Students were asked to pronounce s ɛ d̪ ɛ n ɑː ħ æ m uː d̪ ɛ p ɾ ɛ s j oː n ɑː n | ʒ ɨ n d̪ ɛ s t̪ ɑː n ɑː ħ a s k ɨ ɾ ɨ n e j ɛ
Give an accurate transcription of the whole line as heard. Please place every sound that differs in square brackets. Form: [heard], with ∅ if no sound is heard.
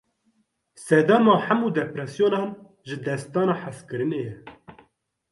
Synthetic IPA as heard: s ɛ d̪ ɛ [m] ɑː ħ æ m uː d̪ ɛ p ɾ ɛ s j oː n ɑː n | ʒ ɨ [∅] d̪ ɛ s t̪ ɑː n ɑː ħ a s k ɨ ɾ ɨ n e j ɛ

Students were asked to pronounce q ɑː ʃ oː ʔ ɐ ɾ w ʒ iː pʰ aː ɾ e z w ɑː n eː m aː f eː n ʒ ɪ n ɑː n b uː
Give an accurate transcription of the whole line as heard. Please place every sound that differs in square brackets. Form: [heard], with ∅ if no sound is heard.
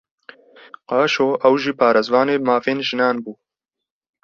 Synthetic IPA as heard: q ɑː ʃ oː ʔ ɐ [∅] w ʒ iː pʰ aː ɾ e z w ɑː n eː m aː f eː n ʒ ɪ n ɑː n b uː

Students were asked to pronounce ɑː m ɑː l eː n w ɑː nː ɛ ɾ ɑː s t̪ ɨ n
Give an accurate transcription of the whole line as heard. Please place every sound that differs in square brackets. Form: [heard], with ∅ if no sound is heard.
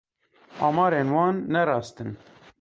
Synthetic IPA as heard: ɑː m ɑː [ɾ] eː n w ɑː nː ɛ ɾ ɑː s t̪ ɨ n

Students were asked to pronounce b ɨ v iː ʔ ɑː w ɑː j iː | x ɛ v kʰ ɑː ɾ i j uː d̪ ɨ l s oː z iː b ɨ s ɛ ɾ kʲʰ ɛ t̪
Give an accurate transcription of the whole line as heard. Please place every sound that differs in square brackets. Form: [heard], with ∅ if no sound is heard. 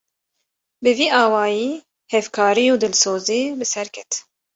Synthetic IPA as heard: b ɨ v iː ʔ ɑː w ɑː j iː | [h] ɛ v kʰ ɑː ɾ i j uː d̪ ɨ l s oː z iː b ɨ s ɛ ɾ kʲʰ ɛ t̪

